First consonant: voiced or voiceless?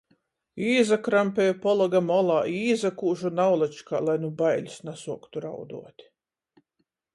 voiced